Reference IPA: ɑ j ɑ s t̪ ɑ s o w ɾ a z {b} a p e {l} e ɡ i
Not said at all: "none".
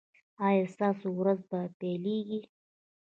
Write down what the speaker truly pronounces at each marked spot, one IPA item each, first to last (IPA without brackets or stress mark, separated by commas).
b, l